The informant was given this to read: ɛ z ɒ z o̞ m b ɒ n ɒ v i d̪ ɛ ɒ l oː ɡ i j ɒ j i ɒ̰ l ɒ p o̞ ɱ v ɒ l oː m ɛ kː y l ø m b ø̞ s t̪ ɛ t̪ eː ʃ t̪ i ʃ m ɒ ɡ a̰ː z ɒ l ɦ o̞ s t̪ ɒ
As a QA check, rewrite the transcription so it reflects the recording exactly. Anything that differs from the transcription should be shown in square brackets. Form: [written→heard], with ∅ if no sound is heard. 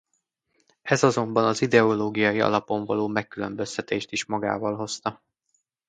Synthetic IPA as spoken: ɛ z ɒ z o̞ m b ɒ n ɒ [v→z] i d̪ ɛ [ɒ→o] l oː ɡ i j ɒ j i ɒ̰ l ɒ p o̞ ɱ v ɒ l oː m ɛ kː y l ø m b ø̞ s t̪ ɛ t̪ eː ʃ t̪ i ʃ m ɒ ɡ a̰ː [z→v] ɒ l ɦ o̞ s t̪ ɒ